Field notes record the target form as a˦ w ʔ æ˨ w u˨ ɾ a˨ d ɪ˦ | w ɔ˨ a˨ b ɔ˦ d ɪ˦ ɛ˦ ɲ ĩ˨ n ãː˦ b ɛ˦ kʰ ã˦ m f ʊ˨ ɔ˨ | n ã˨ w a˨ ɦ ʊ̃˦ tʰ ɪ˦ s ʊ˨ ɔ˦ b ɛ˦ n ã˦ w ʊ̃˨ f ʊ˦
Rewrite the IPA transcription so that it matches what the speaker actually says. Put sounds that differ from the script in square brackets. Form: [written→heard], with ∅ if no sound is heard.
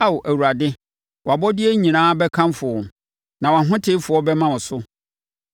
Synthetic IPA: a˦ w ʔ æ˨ w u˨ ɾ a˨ d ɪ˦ | w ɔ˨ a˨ b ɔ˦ d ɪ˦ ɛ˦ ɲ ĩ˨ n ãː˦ b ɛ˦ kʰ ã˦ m f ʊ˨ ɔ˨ | n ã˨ w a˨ ɦ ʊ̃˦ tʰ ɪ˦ [s→f] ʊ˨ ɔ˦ b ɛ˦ [n→m] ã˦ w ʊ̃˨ [f→s] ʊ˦